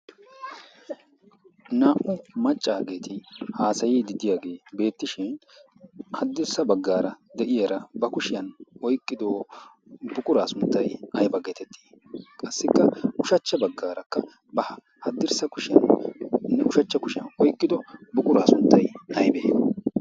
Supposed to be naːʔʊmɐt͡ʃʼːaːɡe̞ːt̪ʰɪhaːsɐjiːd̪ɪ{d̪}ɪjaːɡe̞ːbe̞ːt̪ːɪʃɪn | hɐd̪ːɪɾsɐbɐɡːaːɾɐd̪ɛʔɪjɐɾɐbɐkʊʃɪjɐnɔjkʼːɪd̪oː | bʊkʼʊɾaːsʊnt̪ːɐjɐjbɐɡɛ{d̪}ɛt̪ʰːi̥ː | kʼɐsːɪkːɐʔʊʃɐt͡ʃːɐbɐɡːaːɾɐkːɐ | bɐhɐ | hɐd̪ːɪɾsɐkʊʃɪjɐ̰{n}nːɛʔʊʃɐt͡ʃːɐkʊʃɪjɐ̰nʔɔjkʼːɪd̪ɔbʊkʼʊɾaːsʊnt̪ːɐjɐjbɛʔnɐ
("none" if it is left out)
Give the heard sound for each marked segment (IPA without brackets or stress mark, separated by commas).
d̪, t̪, n